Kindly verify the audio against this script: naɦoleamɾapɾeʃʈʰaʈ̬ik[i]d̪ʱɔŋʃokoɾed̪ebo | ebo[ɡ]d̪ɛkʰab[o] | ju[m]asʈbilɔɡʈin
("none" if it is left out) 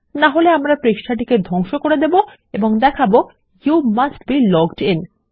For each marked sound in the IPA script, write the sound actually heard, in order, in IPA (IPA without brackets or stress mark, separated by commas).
e, ŋ, o, m